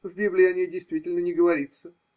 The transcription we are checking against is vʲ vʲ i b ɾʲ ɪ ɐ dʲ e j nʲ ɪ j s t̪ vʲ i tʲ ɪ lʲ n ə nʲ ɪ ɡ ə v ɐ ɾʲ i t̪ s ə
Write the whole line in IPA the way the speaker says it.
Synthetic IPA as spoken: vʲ bʲ i b lʲ ɪ ɐ nʲ e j dʲ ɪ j s t̪ vʲ i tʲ ɪ lʲ n ə nʲ ɪ ɡ ə v ɐ ɾʲ i t̪ s ə